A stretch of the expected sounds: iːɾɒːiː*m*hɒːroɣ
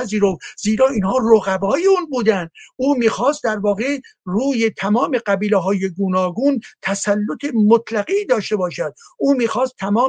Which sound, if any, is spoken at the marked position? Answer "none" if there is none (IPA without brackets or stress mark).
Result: n